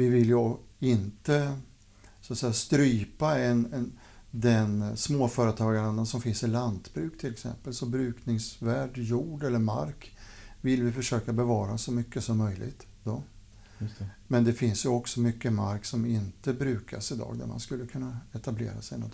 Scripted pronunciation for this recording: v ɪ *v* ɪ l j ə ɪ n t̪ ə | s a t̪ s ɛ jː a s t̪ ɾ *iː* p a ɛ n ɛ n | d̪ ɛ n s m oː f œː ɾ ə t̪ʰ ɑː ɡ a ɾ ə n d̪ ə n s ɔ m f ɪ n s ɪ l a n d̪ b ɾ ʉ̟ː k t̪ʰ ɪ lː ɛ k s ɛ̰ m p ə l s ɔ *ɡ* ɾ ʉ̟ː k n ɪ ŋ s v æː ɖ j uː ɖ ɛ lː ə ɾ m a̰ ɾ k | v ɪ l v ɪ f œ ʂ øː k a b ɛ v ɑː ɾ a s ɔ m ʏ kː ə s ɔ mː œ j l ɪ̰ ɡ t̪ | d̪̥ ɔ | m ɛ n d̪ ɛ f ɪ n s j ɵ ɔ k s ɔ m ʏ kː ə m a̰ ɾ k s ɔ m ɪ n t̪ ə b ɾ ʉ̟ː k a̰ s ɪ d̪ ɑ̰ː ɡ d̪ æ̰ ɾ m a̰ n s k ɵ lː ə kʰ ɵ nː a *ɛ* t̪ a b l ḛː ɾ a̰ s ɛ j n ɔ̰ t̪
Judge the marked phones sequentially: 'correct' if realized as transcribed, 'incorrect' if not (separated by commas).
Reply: correct, incorrect, incorrect, correct